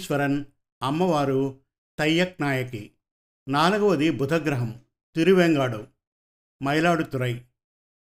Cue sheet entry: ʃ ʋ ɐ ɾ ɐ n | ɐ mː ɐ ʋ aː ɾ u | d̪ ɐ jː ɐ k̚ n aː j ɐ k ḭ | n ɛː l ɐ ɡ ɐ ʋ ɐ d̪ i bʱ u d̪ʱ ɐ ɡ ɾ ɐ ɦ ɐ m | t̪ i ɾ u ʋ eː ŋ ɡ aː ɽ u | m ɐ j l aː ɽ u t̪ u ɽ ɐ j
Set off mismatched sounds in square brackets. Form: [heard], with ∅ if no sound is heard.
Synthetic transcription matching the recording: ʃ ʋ ɐ ɾ ɐ n | ɐ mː ɐ ʋ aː ɾ u | [t̪] ɐ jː ɐ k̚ n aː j ɐ k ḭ | n [aː] l ɐ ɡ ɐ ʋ ɐ d̪ i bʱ u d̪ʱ ɐ ɡ ɾ ɐ ɦ ɐ m | t̪ i ɾ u ʋ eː ŋ ɡ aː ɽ u | m ɐ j l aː ɽ u t̪ u [ɾ] ɐ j